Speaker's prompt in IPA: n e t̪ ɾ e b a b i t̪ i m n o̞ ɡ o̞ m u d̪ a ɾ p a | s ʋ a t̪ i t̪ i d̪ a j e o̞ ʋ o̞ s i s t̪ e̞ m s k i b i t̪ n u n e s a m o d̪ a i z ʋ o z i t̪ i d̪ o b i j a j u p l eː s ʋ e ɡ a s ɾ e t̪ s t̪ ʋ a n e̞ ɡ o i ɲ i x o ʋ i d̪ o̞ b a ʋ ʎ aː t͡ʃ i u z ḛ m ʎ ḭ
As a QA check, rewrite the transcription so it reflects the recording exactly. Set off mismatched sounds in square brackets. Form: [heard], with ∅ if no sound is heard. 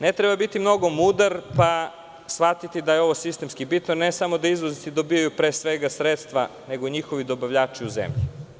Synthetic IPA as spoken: n e t̪ ɾ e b a b i t̪ i m n o̞ ɡ o̞ m u d̪ a ɾ p a | s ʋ a t̪ i t̪ i d̪ a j e o̞ ʋ o̞ s i s t̪ e̞ m s k i b i t̪ n [o] n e s a m o d̪ a i z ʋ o z i t̪ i d̪ o b i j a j u p [ɾ] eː s ʋ e ɡ a s ɾ e t̪ s t̪ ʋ a n e̞ ɡ o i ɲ i x o ʋ i d̪ o̞ b a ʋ ʎ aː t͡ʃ i u z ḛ m ʎ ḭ